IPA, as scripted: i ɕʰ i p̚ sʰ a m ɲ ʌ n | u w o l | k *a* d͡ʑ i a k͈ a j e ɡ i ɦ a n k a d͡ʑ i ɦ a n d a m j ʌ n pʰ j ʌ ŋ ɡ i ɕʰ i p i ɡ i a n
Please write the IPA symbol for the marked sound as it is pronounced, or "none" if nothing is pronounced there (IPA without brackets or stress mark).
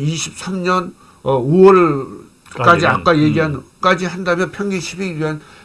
a